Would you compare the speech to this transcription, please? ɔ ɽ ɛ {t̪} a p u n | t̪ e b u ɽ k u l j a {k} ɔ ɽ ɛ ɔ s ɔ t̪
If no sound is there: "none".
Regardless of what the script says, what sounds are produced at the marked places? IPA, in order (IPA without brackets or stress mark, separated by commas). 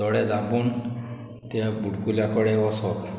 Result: d̪, k